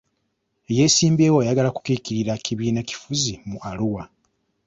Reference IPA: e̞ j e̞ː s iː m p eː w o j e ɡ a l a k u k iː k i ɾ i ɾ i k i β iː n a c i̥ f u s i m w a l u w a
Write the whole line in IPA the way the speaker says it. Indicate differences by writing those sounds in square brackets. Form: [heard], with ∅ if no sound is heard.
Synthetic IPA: e̞ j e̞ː s iː m [b] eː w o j [a] ɡ a l a k u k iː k i ɾ i ɾ [a] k i β iː n a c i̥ f u [z] i m [u] a l u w a